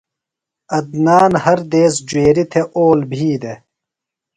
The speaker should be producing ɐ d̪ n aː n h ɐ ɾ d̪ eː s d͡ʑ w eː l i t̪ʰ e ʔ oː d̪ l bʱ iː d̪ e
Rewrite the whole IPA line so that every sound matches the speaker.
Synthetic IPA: ɐ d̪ n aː n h ɐ ɾ d̪ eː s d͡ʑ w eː ɾ i t̪ʰ e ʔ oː l bʱ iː d̪ e